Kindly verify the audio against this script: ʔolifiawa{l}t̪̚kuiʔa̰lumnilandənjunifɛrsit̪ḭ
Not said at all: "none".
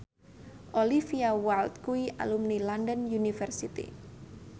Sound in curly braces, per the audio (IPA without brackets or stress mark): l